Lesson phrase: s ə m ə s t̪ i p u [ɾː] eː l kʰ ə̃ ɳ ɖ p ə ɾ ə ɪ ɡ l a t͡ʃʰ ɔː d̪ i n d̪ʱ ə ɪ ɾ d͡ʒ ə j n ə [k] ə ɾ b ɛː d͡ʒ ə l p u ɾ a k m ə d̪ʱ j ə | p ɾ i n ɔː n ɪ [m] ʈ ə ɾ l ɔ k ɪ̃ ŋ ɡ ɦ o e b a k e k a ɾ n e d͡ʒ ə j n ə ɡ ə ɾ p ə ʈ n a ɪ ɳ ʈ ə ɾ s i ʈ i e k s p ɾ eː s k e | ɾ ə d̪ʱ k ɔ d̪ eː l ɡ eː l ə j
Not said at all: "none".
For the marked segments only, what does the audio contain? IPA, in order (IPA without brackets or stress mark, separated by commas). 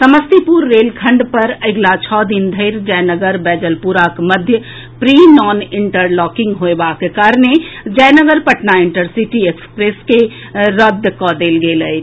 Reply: ɾː, ɡ, ɳ